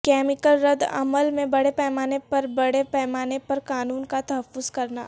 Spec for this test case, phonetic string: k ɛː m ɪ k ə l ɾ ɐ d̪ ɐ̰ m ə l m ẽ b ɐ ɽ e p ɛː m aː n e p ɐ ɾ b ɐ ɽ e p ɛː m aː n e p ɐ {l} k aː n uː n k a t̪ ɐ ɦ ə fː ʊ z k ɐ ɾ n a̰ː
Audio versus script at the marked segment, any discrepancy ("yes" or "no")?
yes